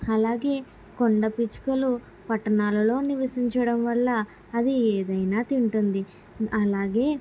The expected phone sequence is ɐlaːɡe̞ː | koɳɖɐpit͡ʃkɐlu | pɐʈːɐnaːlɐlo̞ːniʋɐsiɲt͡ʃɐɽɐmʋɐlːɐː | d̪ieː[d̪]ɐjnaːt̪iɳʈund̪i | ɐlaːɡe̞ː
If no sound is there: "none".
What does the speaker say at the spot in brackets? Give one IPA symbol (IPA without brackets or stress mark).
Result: d̪